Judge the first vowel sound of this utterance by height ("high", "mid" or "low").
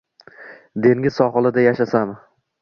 mid